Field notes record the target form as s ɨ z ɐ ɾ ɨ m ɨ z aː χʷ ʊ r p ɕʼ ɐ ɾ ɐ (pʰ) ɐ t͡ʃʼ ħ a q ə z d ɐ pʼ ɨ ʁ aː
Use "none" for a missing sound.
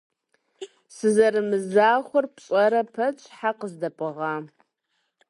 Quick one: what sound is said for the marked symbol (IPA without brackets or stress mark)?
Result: pʰ